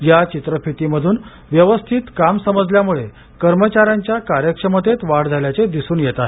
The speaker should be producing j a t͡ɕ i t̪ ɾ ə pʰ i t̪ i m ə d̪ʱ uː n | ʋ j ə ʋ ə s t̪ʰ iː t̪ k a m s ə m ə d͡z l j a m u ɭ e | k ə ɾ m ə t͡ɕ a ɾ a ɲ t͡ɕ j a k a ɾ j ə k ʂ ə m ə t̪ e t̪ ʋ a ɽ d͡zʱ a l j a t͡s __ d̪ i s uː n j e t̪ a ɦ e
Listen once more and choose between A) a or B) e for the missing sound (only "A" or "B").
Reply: B